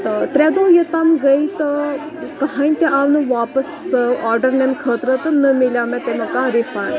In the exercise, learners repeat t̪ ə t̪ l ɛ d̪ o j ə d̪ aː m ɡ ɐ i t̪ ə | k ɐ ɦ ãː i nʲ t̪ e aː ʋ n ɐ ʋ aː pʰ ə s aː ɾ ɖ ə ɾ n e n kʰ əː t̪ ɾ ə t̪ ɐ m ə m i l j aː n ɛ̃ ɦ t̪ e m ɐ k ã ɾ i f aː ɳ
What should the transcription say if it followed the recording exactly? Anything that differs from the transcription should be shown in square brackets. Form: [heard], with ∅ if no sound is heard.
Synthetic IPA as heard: t̪ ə t̪ [ɾ] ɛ d̪ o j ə [t̪] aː m ɡ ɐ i t̪ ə | k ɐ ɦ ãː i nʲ t̪ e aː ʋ n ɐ ʋ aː [p] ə s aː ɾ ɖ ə ɾ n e n kʰ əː t̪ ɾ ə t̪ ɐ [n] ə m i l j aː [m] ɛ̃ [∅] t̪ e m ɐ k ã ɾ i f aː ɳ